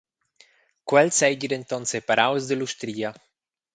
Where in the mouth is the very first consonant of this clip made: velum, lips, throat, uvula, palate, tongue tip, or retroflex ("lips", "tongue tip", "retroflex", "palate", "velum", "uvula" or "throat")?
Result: velum